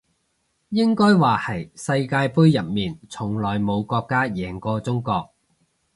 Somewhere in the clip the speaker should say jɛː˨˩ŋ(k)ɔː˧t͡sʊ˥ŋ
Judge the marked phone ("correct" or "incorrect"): correct